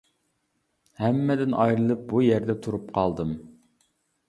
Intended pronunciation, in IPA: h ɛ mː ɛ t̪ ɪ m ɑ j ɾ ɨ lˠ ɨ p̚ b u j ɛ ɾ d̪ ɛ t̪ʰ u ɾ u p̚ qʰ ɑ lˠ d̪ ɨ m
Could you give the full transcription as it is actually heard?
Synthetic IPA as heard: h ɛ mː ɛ d̪ ɪ n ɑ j ɾ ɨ lˠ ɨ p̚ b u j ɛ ɾ d̪ ɛ t̪ʰ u ɾ u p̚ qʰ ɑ lˠ d̪ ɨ m